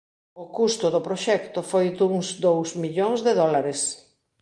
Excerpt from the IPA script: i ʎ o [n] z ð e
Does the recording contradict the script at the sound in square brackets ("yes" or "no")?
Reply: yes